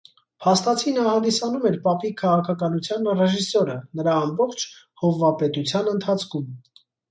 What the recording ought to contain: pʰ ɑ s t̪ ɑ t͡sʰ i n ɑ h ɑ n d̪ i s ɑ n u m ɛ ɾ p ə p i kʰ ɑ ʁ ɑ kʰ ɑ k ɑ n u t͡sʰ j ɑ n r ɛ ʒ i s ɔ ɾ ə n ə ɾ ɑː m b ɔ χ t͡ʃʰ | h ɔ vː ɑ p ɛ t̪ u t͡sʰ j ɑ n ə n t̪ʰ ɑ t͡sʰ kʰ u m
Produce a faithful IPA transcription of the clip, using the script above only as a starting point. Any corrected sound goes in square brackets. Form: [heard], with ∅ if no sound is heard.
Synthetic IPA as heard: pʰ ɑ s t̪ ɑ t͡sʰ i n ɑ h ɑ n d̪ i s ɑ n u m ɛ ɾ p [ɑ] p i kʰ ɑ ʁ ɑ kʰ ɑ k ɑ n u t͡sʰ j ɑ n r ɛ ʒ i s ɔ ɾ ə n ə ɾ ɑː m b ɔ χ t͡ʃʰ | h ɔ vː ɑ p ɛ t̪ u t͡sʰ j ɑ n ə n t̪ʰ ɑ t͡sʰ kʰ u m